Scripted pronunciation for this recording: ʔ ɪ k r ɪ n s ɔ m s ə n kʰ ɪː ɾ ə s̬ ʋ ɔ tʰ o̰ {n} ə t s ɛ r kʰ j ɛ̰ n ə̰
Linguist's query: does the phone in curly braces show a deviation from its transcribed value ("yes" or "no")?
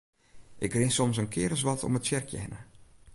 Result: yes